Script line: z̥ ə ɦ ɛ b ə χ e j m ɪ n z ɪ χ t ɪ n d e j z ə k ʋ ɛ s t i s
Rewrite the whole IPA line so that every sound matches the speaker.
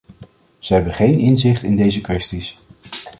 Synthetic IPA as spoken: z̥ ə ɦ ɛ b ə χ e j n ɪ n z ɪ χ t ɪ n d e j z ə k ʋ ɛ s t i s